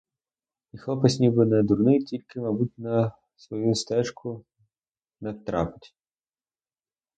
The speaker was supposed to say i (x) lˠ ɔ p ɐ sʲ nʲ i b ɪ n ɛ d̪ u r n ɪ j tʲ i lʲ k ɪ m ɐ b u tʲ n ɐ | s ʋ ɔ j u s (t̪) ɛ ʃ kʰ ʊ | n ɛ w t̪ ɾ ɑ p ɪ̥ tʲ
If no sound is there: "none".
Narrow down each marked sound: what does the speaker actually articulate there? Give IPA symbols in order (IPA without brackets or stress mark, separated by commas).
x, t̪